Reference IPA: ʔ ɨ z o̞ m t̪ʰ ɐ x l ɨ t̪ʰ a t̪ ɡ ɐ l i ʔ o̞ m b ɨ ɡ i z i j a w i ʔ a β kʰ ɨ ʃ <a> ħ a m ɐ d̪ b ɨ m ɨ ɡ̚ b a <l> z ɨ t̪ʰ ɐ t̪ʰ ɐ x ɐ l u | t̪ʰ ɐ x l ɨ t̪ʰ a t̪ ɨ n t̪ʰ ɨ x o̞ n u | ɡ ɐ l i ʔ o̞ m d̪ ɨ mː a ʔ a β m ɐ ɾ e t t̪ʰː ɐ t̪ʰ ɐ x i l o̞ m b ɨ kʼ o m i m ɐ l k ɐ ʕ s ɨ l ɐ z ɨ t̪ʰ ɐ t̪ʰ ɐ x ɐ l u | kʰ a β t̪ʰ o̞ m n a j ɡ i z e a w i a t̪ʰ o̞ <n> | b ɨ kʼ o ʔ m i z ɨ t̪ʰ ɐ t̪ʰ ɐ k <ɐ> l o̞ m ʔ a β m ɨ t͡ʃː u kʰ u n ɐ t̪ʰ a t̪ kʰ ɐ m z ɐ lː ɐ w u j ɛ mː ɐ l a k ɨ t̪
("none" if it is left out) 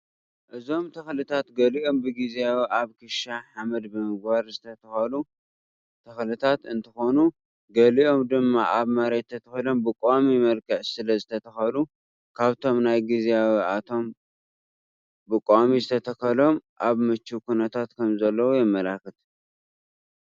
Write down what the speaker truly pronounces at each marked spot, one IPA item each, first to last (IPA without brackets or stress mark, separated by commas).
a, ɾ, m, ɐ